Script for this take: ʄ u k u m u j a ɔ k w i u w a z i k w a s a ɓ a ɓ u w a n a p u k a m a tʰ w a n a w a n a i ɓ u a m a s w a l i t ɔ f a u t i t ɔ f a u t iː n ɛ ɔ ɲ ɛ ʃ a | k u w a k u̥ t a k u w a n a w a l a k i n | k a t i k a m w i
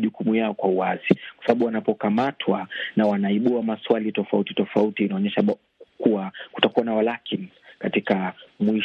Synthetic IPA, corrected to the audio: ʄ u k u m u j a ɔ k w a u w a z i k w a s a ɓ a ɓ u w a n a p ɔ k a m a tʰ w a n a w a n a i ɓ u a m a s w a l i t ɔ f a u t i t ɔ f a u t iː n a ɔ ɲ ɛ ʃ a | k u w a k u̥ t a k u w a n a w a l a k i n | k a t i k a m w i